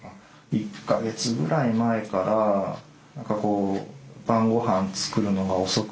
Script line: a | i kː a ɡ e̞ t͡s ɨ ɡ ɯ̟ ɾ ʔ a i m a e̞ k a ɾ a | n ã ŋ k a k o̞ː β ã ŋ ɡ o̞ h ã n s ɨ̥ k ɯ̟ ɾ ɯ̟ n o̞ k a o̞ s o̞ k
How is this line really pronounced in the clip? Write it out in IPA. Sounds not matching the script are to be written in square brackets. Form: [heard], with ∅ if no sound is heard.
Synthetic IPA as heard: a | i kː a ɡ e̞ t͡s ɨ ɡ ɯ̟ ɾ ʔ a i m a e̞ k a ɾ a | n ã ŋ k a k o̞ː [b] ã ŋ ɡ o̞ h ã n [t͡s] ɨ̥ k ɯ̟ ɾ ɯ̟ n o̞ [ɡ] a o̞ s o̞ k